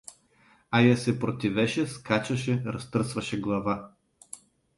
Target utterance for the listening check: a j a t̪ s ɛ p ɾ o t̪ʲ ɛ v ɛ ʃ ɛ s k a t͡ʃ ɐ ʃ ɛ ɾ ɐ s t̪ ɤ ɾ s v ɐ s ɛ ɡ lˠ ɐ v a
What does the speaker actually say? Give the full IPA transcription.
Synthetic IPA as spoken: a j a s ɛ p ɾ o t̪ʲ i v ɛ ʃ ɛ s k a t͡ʃ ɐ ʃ ɛ ɾ ɐ s t̪ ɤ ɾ s v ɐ ʃ ɛ ɡ lˠ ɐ v a